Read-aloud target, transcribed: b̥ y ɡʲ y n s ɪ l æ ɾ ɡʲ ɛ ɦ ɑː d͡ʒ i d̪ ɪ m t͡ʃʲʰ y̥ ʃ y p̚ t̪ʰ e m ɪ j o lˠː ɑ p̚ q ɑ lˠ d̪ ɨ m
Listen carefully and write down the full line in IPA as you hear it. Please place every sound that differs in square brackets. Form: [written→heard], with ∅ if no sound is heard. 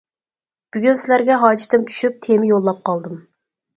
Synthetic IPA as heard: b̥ y ɡʲ y n s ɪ l æ ɾ ɡʲ ɛ ɦ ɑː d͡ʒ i [d̪→t̪] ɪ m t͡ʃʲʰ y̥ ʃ y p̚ t̪ʰ e m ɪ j o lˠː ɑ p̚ q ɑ lˠ d̪ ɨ m

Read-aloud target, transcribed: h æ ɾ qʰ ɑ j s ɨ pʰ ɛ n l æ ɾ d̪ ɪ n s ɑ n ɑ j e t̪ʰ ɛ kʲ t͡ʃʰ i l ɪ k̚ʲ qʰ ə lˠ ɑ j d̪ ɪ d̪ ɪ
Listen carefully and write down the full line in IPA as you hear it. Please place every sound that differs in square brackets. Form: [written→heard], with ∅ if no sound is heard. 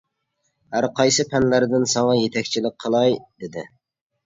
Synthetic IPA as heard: h æ ɾ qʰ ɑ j s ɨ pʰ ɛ n l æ ɾ d̪ ɪ n s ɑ [n→ŋ] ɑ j e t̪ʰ ɛ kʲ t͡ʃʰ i l ɪ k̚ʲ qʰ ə lˠ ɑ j d̪ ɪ d̪ ɪ

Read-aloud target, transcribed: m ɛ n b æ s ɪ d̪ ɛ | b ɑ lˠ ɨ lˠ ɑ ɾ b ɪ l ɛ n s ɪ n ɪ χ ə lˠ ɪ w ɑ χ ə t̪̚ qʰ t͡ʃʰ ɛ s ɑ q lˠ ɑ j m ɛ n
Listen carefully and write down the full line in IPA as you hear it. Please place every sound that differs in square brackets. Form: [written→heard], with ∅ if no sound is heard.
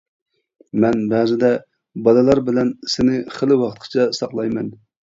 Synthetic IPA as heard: m ɛ n b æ [s→z] ɪ d̪ ɛ | b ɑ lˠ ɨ lˠ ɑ ɾ b ɪ l ɛ n s ɪ n ɪ χ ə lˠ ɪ w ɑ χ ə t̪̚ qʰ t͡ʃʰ ɛ s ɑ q lˠ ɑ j m ɛ n

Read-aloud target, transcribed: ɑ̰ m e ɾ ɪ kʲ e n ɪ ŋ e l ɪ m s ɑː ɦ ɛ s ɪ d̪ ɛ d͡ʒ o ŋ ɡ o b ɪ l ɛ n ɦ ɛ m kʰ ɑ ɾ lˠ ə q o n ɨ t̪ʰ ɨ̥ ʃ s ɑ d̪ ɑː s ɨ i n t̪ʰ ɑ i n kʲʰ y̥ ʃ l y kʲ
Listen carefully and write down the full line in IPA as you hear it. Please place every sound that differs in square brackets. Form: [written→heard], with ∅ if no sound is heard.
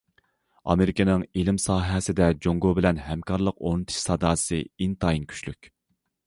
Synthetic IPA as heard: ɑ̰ m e ɾ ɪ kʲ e n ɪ ŋ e l ɪ m s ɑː ɦ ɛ s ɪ d̪ ɛ d͡ʒ o ŋ ɡ o b ɪ l ɛ n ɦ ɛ m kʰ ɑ ɾ lˠ ə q o n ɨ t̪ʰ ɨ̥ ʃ s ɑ d̪ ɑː s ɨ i n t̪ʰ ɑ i n kʲʰ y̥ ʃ l y kʲ

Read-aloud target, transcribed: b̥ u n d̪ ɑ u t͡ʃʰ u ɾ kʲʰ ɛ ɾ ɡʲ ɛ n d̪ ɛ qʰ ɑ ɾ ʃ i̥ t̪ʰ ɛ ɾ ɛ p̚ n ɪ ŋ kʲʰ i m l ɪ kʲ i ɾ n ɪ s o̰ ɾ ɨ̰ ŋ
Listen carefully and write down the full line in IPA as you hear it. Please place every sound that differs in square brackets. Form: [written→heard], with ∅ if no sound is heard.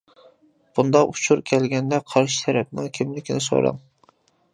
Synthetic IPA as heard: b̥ u n d̪ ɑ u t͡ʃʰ u ɾ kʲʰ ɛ [ɾ→l] ɡʲ ɛ n d̪ ɛ qʰ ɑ ɾ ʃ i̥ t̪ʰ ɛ ɾ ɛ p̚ n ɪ ŋ kʲʰ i m l ɪ kʲ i [ɾ→∅] n ɪ s o̰ ɾ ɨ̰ ŋ

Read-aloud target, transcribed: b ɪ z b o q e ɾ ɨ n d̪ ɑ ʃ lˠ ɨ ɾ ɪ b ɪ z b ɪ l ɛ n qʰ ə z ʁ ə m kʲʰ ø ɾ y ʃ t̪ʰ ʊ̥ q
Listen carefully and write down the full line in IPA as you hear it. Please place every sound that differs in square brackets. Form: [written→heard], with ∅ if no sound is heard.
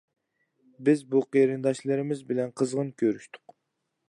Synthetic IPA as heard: b ɪ z b [o→u] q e ɾ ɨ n d̪ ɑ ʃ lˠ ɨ ɾ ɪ [b→m] ɪ z b ɪ l ɛ n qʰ ə z ʁ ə [m→n] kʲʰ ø ɾ y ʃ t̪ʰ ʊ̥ q

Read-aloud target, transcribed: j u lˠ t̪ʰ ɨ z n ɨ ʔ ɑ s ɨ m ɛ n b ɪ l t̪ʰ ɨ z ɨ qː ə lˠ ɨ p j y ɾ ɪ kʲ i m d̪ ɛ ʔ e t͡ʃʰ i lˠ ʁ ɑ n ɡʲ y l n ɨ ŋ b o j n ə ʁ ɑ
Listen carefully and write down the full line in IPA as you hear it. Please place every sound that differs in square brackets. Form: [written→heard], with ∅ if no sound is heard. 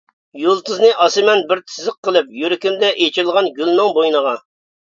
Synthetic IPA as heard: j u lˠ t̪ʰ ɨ z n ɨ ʔ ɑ s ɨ m ɛ n b ɪ [l→ɾ] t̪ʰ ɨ z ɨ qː ə lˠ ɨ p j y ɾ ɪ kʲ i m d̪ ɛ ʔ e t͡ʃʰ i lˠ ʁ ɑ n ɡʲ y l n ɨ ŋ b o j n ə ʁ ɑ

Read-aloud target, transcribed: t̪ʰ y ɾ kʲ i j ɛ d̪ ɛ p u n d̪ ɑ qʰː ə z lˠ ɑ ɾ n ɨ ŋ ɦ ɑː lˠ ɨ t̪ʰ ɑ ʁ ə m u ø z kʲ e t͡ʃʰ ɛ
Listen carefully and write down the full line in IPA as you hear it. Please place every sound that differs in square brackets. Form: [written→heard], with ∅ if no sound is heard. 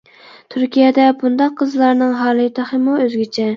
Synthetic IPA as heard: t̪ʰ y ɾ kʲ i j ɛ d̪ ɛ [p→b] u n d̪ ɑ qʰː ə z lˠ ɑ ɾ n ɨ ŋ ɦ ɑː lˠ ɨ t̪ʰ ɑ [ʁ→χ] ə m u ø z [kʲ→ɡʲ] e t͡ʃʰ ɛ

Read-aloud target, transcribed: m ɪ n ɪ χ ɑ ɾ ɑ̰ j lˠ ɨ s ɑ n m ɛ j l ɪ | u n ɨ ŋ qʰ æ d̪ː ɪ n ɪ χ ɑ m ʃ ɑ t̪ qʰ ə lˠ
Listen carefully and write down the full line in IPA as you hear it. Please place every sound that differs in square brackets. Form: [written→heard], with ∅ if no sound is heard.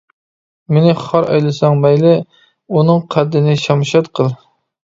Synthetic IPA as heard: m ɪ n ɪ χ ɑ ɾ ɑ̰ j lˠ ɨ s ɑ [n→ŋ] m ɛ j l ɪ | u n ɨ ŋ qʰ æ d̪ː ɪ n ɪ [χ→ʃ] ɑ m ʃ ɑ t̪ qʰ ə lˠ

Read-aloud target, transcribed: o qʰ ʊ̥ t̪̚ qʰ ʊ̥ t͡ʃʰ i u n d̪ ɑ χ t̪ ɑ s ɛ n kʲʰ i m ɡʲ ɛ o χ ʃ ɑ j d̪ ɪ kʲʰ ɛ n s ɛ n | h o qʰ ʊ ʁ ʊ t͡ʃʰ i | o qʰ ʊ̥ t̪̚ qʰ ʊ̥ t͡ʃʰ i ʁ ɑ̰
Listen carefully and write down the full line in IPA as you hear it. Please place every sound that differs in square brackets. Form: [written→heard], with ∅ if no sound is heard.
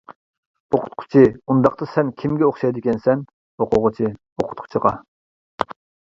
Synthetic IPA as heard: o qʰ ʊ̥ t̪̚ qʰ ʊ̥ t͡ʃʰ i u n d̪ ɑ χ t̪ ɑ s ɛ n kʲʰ i m ɡʲ ɛ o χ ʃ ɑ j d̪ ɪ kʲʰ ɛ n s ɛ n | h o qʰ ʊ ʁ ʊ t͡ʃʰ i | o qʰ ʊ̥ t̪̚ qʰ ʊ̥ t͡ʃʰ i ʁ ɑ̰

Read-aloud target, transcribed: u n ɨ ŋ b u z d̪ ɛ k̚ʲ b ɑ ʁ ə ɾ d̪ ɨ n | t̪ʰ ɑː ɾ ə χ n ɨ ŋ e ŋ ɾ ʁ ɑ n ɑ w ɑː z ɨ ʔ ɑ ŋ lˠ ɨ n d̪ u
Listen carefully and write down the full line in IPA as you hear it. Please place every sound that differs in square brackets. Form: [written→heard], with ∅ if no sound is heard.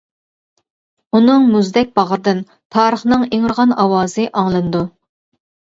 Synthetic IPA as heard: u n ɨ ŋ [b→m] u z d̪ ɛ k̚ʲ b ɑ ʁ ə ɾ d̪ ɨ n | t̪ʰ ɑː ɾ ə χ n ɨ ŋ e ŋ ɾ ʁ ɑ n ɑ w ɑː z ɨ ʔ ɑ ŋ lˠ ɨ n d̪ u

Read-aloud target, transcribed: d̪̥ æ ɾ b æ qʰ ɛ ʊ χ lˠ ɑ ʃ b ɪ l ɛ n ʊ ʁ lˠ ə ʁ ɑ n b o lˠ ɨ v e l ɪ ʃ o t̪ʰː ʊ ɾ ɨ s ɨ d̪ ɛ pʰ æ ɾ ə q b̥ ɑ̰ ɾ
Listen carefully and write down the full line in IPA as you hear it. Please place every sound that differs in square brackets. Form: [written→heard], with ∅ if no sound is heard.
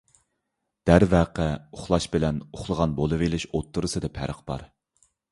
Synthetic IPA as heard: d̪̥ æ ɾ [b→v] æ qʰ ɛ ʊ χ lˠ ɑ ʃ b ɪ l ɛ n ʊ [ʁ→χ] lˠ ə ʁ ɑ n b o lˠ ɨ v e l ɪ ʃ o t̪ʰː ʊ ɾ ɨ s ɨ d̪ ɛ pʰ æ ɾ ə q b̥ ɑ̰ ɾ

